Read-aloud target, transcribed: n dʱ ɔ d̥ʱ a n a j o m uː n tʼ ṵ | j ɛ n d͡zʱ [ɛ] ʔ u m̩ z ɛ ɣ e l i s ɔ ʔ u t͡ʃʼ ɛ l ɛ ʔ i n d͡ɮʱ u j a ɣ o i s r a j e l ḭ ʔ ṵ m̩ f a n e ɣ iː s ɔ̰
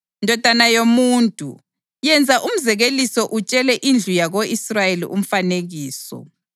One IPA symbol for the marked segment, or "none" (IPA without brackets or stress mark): a